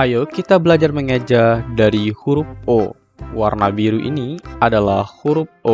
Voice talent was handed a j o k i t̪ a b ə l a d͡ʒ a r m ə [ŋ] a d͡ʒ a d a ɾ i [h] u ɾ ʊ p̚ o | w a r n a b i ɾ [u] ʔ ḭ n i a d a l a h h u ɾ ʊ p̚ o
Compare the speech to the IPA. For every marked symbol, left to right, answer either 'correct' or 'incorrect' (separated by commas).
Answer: correct, correct, correct